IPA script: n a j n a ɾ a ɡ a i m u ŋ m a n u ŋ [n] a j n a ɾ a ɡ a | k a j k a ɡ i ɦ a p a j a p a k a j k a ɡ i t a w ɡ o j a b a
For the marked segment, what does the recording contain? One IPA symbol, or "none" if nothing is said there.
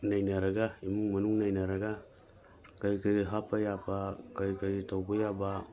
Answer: n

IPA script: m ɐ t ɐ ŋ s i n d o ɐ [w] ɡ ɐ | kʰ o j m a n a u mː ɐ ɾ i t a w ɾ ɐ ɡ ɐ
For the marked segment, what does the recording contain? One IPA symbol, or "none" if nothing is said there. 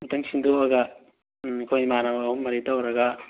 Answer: none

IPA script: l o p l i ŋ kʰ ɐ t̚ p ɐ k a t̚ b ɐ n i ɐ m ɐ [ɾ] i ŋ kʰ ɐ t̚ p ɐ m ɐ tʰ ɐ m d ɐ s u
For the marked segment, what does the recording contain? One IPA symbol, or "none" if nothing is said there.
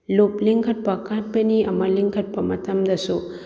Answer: l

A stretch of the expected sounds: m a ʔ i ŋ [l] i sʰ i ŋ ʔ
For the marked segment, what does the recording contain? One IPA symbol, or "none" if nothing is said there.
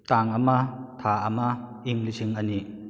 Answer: l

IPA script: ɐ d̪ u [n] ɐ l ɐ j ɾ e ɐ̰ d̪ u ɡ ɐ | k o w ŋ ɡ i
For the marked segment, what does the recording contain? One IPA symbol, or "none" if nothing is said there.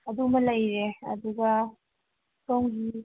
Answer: m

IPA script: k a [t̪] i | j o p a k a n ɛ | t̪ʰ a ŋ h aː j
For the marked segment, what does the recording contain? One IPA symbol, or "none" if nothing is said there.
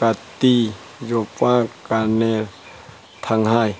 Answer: t̪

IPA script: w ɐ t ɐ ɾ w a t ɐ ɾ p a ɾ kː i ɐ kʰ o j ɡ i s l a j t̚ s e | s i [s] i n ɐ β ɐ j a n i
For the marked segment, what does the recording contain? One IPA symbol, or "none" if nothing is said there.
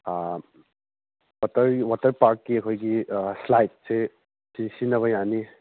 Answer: s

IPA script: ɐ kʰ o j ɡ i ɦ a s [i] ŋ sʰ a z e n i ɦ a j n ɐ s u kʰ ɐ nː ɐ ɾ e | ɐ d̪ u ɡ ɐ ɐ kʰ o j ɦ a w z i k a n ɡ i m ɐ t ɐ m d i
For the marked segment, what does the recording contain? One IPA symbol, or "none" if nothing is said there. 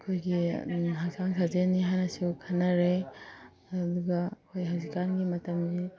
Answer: a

